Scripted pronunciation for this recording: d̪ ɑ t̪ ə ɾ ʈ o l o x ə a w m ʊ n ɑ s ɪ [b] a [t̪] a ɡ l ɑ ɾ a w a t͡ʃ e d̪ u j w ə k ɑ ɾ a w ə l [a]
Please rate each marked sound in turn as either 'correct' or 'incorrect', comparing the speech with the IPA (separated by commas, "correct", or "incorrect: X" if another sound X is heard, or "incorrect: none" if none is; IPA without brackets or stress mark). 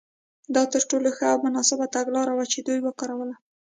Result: correct, correct, correct